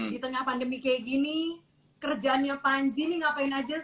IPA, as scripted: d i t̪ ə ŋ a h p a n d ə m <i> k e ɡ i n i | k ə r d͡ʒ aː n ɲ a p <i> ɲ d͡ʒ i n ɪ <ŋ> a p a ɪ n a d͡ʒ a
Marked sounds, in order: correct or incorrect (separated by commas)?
correct, incorrect, correct